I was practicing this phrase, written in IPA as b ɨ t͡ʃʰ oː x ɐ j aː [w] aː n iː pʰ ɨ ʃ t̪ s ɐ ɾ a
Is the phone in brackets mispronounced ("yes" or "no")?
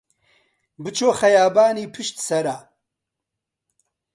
yes